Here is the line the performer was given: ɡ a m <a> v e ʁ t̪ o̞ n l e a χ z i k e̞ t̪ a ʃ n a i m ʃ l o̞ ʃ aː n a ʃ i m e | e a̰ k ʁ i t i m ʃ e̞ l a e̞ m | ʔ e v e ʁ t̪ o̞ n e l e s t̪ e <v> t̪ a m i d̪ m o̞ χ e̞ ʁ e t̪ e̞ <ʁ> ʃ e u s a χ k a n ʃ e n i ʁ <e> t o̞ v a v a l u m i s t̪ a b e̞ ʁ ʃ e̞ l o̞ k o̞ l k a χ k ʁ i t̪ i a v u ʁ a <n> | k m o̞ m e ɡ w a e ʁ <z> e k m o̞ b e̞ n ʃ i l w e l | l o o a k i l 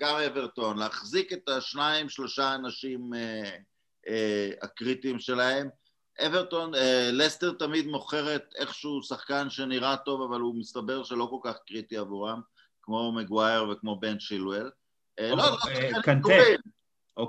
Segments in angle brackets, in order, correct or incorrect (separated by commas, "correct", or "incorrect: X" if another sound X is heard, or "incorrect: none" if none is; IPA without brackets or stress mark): incorrect: e, incorrect: ʁ, incorrect: χ, incorrect: a, incorrect: m, incorrect: v